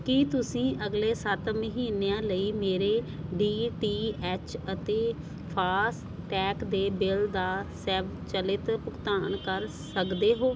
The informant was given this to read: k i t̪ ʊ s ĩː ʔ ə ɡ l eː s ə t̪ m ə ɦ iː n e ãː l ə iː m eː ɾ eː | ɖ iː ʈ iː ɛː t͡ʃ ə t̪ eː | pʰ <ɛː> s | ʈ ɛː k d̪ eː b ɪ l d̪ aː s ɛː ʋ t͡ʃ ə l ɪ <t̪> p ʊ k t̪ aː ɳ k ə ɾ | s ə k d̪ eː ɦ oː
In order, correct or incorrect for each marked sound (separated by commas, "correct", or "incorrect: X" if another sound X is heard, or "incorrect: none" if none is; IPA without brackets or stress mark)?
incorrect: aː, correct